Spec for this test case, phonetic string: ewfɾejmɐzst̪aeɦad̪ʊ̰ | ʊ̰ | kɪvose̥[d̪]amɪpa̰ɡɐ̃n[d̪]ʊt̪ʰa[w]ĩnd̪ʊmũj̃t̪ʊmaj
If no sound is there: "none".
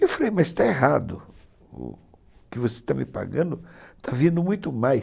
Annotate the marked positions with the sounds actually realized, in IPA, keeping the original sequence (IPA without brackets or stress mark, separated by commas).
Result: t̪, d̪, v